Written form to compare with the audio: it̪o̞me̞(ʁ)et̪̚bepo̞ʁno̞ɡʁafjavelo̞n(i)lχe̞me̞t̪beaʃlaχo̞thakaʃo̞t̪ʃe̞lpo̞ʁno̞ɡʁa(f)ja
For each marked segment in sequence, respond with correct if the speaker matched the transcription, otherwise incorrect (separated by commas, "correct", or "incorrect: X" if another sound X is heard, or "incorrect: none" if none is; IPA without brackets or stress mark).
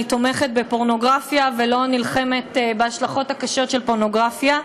incorrect: χ, correct, correct